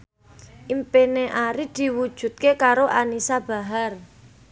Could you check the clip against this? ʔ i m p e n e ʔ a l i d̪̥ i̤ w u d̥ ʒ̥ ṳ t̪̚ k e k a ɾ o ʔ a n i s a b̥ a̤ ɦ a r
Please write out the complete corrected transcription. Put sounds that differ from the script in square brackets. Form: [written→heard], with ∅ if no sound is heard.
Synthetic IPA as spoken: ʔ i m p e n e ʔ a [l→ɾ] i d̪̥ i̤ w u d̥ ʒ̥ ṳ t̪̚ k e k a ɾ o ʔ a n i s a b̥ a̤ ɦ a r

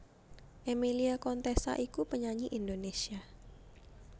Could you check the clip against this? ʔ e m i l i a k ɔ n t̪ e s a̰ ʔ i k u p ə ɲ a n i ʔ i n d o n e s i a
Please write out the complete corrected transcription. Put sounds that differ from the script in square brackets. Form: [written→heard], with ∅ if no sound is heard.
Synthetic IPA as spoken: ʔ e m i l i a k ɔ n t̪ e s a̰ ʔ i k u p ə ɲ a [n→ɲ] i ʔ i n d o n e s i a

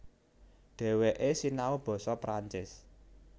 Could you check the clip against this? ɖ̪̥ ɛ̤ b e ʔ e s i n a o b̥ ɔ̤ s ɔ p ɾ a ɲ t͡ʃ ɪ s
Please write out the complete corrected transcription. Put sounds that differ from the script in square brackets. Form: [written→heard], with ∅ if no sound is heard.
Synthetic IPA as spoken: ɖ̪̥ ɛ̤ [b→w] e ʔ e s i n a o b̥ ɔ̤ s ɔ p ɾ a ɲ t͡ʃ ɪ s

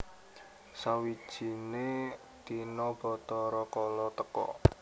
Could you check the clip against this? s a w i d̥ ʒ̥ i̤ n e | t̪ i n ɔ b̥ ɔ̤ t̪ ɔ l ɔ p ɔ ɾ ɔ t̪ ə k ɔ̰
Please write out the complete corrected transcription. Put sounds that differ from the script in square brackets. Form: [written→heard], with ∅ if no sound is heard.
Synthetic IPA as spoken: s a w i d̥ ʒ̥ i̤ n e | t̪ i n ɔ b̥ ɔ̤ t̪ ɔ [l→ɾ] ɔ [p→k] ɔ [ɾ→l] ɔ t̪ ə k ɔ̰

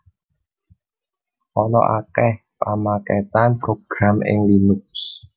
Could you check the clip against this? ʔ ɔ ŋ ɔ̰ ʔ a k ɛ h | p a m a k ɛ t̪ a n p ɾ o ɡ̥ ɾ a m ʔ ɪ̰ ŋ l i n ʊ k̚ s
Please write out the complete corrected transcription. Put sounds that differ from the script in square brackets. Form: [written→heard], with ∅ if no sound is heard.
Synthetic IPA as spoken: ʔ ɔ [ŋ→n] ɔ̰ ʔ a k ɛ h | p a m a k ɛ t̪ a n p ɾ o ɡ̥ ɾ a m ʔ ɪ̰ ŋ l i n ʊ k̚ s

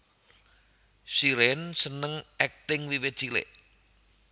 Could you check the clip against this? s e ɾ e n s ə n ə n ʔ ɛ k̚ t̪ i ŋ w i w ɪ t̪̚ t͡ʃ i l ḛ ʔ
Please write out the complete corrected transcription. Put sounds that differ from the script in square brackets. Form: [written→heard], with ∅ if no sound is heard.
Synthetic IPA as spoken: s [e→i] ɾ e n s ə n ə [n→ŋ] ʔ ɛ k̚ t̪ [i→ɪ] ŋ w i w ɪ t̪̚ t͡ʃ i l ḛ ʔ

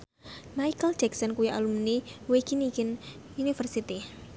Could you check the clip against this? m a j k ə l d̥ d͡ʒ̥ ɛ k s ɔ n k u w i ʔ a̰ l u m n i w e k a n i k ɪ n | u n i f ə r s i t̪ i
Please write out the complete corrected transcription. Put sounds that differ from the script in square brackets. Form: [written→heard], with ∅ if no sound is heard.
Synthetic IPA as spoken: m a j k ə l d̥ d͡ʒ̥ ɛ k s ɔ n k u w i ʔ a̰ l u m n i w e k [a→i] n i k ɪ n | u n i f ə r s i t̪ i

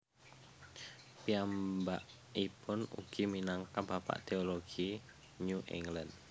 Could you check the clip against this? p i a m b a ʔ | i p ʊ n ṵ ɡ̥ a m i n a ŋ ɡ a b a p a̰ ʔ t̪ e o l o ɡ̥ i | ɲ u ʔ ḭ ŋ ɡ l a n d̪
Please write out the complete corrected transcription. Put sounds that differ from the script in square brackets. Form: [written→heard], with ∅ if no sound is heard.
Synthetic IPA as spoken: p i a m b a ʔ | i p ʊ n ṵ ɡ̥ [a→i] m i n a ŋ [ɡ→k] a b a p a̰ ʔ t̪ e o l o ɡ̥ i | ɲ u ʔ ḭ ŋ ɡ l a n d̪

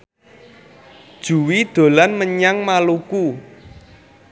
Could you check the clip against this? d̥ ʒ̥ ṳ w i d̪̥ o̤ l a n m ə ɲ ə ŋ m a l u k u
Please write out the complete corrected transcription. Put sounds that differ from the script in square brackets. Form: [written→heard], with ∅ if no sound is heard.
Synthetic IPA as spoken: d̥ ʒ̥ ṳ w i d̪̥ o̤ l a n m ə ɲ [ə→a] ŋ m a l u k u

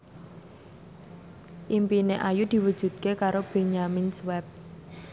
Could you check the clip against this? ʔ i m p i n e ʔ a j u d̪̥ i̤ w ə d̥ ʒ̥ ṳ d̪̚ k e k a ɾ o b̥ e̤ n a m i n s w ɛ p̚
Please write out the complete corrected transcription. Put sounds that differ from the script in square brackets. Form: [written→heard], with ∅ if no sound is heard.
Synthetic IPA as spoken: ʔ i m p i n e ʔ a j u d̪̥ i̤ w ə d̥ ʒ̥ ṳ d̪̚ k e k a ɾ o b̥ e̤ [n→ɲ] a m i n s w ɛ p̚

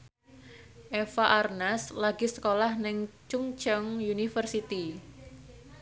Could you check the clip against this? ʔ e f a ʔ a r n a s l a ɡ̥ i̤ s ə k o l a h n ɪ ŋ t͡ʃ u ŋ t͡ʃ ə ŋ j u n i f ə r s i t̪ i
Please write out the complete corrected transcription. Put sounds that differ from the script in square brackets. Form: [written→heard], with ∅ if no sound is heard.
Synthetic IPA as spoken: ʔ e f a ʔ a r n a s l a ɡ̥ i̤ s ə k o l a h n ɪ ŋ t͡ʃ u ŋ t͡ʃ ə ŋ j u n i f ə r s i t̪ i

